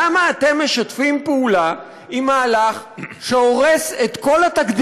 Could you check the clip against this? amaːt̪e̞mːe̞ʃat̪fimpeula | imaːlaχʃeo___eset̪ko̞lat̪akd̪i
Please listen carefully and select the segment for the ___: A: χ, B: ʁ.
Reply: B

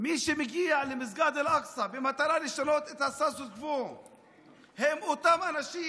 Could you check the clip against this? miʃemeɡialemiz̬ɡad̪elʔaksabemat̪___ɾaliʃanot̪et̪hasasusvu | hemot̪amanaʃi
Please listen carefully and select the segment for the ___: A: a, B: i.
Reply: A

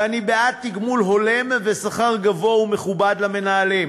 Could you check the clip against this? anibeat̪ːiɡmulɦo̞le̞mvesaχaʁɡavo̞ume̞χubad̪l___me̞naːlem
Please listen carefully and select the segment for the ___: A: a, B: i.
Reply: A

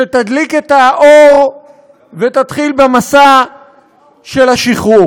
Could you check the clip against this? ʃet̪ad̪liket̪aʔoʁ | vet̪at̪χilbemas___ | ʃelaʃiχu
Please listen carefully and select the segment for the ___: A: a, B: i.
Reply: A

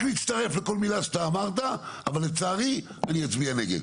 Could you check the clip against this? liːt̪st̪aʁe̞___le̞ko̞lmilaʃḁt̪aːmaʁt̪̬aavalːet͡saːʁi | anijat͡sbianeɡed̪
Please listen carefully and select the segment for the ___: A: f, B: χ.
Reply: A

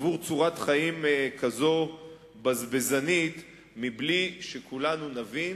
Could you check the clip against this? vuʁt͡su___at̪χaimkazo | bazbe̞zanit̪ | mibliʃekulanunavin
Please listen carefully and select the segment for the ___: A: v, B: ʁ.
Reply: B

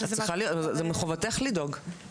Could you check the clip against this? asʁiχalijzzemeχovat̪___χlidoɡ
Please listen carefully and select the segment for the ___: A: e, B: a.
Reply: A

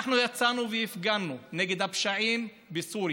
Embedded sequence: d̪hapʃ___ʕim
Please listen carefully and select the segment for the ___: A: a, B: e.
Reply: A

